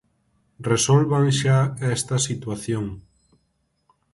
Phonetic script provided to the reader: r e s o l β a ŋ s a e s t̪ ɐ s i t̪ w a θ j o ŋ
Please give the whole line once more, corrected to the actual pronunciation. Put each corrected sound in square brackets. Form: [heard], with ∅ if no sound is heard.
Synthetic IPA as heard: r e s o l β a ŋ [ʃ] a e s t̪ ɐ s i t̪ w a θ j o ŋ